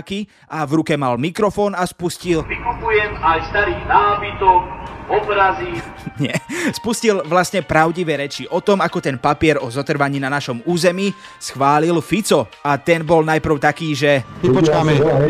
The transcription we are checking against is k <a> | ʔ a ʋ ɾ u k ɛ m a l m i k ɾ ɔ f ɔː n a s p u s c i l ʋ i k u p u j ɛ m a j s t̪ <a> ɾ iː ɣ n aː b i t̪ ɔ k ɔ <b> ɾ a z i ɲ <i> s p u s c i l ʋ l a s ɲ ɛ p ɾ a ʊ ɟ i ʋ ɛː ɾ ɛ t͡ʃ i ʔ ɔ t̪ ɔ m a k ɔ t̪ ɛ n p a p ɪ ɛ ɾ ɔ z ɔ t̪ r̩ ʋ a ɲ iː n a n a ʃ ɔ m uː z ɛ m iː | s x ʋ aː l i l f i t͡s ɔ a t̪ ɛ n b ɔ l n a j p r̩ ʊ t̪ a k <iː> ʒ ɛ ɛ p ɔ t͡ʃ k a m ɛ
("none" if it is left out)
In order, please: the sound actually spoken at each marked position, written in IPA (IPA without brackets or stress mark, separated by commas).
i, a, b, ɛ, iː